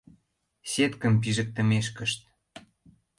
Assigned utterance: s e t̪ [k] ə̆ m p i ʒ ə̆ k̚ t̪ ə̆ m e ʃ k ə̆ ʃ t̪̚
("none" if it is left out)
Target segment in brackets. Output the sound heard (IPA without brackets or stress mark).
k